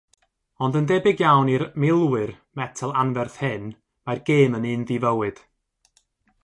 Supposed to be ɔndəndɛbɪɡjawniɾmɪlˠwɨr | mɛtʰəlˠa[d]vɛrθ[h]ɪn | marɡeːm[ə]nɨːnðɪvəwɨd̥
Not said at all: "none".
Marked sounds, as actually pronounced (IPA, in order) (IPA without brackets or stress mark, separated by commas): n, h, ə